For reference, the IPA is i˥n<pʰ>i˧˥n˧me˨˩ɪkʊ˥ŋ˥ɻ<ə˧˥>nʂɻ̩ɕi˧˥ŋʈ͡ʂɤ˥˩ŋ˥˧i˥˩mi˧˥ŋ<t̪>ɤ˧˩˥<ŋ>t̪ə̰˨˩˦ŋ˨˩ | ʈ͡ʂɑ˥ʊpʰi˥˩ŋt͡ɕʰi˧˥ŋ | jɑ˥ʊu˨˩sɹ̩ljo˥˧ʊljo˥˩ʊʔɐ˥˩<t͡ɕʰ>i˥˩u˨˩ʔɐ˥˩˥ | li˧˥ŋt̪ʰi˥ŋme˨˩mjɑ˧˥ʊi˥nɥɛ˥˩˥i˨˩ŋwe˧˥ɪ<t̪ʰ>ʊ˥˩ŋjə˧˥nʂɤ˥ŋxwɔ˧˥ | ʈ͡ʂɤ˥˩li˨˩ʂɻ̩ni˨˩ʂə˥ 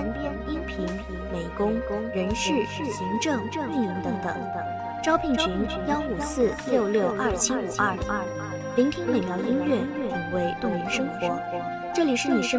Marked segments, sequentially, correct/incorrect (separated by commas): correct, correct, correct, correct, correct, incorrect